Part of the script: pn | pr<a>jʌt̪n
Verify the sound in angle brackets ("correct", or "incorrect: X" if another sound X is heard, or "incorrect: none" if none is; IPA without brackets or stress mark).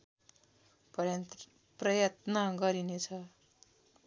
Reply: incorrect: ʌ